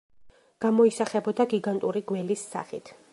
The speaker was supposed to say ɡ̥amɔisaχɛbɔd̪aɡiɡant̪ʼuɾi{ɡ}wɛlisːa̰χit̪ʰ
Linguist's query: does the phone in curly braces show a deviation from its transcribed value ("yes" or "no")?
no